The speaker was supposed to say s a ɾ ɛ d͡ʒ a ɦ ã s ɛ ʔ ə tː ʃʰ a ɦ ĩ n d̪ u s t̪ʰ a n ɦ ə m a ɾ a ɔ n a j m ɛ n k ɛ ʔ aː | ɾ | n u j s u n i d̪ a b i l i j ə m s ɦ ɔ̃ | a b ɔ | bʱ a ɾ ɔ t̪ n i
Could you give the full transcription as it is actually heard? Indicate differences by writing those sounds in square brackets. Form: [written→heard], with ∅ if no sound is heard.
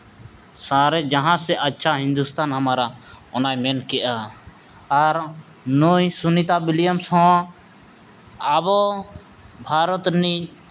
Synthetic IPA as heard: s a ɾ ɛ d͡ʒ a ɦ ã s ɛ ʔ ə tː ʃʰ a ɦ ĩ n d̪ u s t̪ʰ a n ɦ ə m a ɾ a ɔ n a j m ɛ n k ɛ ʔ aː | ɾ | n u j s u n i [d̪→t̪] a b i l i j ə m s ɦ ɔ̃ | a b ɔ | bʱ a ɾ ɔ t̪ n i